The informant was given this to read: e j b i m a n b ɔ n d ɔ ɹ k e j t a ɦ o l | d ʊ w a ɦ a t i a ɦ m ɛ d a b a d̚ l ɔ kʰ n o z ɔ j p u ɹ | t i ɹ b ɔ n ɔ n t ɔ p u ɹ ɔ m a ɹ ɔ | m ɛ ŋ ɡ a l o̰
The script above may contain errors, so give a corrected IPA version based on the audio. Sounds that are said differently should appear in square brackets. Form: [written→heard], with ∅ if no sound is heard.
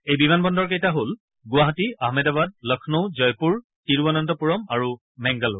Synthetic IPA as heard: e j b i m a n b ɔ n d ɔ ɹ k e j t a ɦ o l | [d→ɡ] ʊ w a ɦ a t i a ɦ m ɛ d a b a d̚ l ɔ kʰ n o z ɔ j p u ɹ | t i ɹ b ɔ n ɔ n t ɔ p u ɹ ɔ m a ɹ [ɔ→u] | m ɛ ŋ ɡ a l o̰